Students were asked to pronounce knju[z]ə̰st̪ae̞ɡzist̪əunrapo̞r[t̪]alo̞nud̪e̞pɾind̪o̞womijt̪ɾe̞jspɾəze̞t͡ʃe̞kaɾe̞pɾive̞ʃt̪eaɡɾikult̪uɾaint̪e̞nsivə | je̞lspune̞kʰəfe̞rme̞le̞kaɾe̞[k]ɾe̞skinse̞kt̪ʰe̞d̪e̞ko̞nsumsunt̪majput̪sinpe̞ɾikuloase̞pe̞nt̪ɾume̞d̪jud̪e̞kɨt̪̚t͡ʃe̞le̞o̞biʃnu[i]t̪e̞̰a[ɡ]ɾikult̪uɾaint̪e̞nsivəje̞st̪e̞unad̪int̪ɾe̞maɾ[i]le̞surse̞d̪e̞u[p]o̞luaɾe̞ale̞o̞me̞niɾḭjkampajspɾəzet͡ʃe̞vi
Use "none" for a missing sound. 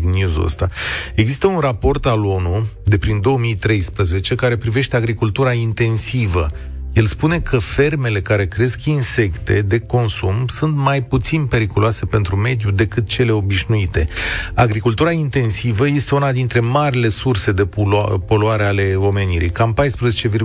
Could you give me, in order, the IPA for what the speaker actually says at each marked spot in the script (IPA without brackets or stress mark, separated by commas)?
z, t̪, k, i, ɡ, i, p